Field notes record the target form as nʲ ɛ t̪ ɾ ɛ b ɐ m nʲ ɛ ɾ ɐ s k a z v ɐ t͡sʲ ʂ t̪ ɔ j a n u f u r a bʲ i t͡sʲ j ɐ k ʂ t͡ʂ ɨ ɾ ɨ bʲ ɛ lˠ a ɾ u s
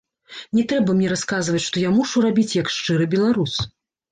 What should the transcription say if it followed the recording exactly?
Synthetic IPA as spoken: nʲ ɛ t̪ ɾ ɛ b ɐ m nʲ ɛ ɾ a s k a z v ɐ t͡sʲ ʂ t̪ ɔ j a m u ʂ u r a bʲ i t͡sʲ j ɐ k ʂ t͡ʂ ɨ ɾ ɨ bʲ ɛ lˠ a ɾ u s